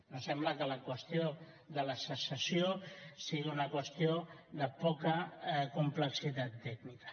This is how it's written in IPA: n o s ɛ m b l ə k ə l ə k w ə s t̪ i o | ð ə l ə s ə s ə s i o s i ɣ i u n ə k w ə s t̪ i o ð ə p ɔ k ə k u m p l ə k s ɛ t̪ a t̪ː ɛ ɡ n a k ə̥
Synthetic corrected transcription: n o s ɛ m b l ə k ə l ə k w ə s t̪ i o | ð ə l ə s ə s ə s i o s i ɣ i u n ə k w ə s t̪ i o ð ə p ɔ k ə k u m p l ə k s i t̪ a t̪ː ɛ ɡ n i k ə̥